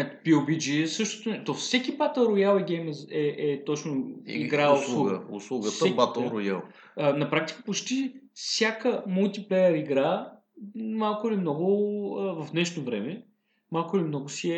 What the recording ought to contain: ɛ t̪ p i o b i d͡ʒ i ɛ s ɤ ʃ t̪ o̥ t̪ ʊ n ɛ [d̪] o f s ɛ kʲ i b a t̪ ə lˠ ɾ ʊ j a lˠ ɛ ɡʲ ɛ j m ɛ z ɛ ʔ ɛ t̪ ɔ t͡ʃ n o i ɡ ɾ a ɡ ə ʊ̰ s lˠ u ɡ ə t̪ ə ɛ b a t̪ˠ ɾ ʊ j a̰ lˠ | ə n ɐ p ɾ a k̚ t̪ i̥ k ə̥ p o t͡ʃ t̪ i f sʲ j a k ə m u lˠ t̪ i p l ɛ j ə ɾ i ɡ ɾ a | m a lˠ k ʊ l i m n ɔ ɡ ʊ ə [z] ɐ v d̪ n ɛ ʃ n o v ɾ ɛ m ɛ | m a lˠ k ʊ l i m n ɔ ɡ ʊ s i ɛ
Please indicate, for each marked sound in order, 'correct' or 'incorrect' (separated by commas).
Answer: incorrect, incorrect